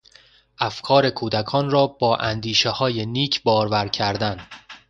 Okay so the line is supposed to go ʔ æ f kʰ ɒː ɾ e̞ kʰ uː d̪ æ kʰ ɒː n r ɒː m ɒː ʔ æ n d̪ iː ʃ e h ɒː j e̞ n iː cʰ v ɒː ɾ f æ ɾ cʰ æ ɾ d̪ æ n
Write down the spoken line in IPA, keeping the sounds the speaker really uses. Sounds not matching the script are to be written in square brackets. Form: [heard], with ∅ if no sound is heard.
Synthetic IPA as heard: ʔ æ f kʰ ɒː ɾ e̞ kʰ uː d̪ æ kʰ ɒː n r ɒː [b] ɒː ʔ æ n d̪ iː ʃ e h ɒː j e̞ n iː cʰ [b] ɒː ɾ [v] æ ɾ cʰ æ ɾ d̪ æ n